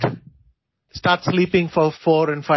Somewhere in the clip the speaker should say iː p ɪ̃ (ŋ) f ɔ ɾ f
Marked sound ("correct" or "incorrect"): correct